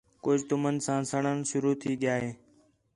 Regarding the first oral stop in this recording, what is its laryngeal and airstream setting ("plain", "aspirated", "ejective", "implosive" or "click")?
plain